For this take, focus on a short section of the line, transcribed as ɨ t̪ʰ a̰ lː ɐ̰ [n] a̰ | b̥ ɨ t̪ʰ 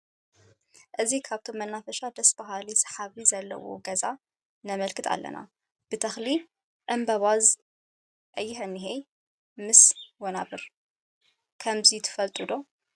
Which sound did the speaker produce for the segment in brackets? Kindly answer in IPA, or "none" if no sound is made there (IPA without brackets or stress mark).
n